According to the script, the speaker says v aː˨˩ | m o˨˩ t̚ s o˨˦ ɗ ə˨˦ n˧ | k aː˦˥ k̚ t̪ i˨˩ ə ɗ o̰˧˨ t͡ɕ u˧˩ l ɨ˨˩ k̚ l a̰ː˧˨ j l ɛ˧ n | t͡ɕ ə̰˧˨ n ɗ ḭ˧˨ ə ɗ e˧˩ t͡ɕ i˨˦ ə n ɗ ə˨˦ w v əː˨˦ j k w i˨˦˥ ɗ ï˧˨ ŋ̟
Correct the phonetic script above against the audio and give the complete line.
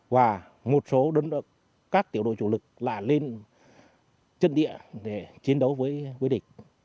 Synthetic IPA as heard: v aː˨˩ | m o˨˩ t̚ s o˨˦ ɗ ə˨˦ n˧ | k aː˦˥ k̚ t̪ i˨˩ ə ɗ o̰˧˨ t͡ɕ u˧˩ l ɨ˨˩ k̚ l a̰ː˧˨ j l e˧ n | t͡ɕ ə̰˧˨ n ɗ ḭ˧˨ ə ɗ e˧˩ t͡ɕ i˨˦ ə n ɗ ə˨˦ w v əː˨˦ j k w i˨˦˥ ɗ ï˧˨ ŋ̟